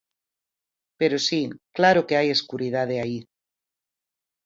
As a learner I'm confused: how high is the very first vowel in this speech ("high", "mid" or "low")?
mid